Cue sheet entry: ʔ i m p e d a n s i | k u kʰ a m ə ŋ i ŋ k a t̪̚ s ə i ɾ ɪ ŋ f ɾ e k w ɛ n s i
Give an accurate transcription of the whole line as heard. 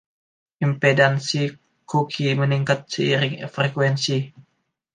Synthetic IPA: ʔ i m p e d a n s i | k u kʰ i m ə n i ŋ k a t̪̚ s ə i ɾ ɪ ŋ f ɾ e k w ɛ n s i